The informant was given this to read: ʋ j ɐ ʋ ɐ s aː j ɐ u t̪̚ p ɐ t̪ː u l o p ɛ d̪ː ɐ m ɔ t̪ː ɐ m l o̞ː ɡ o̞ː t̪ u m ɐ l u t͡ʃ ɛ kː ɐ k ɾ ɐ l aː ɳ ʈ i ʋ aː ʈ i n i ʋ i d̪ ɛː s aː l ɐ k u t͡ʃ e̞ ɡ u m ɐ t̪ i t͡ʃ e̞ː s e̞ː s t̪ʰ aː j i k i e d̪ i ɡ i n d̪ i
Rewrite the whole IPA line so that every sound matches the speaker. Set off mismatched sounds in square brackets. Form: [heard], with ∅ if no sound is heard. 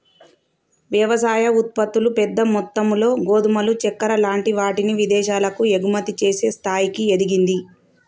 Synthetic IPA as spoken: ʋ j ɐ ʋ ɐ s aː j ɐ u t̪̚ p ɐ t̪ː u l [u] p ɛ d̪ː ɐ m ɔ t̪ː ɐ m l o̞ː ɡ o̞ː [d̪] u m ɐ l u t͡ʃ ɛ kː ɐ [∅] ɾ ɐ l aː ɳ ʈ i ʋ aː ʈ i n i ʋ i d̪ ɛː [ʃ] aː l ɐ k u [∅] e̞ ɡ u m ɐ t̪ i t͡ʃ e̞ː s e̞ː s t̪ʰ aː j i k i e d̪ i ɡ i n d̪ i